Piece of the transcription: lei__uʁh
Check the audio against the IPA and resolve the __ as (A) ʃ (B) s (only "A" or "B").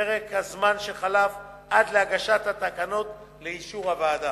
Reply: A